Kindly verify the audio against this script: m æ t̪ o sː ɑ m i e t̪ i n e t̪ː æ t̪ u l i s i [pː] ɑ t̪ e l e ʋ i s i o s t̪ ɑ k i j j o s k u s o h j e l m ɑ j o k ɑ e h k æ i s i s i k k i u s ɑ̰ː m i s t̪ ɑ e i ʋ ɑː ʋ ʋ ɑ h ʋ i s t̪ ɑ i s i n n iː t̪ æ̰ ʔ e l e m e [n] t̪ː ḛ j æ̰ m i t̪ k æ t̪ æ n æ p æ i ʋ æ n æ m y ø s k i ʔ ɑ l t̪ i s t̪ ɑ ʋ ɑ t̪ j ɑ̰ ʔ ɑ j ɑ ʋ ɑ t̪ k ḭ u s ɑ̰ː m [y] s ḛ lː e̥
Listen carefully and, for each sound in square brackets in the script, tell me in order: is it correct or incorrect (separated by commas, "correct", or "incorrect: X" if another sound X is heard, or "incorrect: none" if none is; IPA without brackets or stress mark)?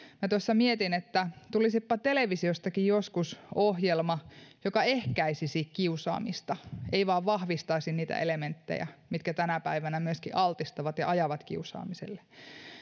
correct, correct, incorrect: i